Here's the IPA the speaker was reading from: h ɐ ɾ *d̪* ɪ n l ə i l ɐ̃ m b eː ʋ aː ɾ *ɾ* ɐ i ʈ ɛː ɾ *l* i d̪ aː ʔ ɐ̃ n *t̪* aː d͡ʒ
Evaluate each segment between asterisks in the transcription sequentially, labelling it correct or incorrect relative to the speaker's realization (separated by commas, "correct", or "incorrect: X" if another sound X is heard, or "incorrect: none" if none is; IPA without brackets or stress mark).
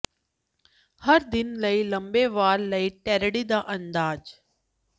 correct, incorrect: l, incorrect: ɽ, incorrect: d̪